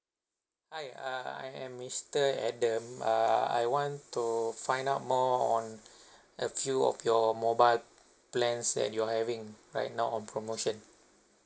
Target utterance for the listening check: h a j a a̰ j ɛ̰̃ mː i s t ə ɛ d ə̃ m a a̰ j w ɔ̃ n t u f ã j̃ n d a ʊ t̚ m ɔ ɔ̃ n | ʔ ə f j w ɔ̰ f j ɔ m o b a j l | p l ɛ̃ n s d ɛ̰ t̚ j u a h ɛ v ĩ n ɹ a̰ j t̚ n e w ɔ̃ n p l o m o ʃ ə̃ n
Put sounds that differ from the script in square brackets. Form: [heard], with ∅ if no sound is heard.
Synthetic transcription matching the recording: h a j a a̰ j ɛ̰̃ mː i s t ə ɛ d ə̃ m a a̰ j w ɔ̃ n t u f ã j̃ n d a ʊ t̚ m ɔ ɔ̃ n | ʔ ə f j [u] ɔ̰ f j ɔ m o b a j l | p l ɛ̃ n s d ɛ̰ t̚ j u a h ɛ v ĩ [ŋ] ɹ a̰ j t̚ n [a] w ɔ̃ n p [ɹ] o m o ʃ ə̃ n